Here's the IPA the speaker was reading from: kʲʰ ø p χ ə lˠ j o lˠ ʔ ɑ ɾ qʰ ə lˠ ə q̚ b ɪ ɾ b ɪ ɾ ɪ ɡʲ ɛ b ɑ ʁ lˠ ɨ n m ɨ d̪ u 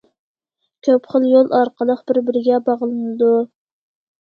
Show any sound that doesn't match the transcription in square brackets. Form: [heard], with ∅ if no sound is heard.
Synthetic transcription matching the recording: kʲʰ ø p χ ə lˠ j o lˠ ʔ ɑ ɾ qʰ ə lˠ ə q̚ b ɪ ɾ b ɪ ɾ ɪ ɡʲ ɛ b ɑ ʁ lˠ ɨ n [n] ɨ d̪ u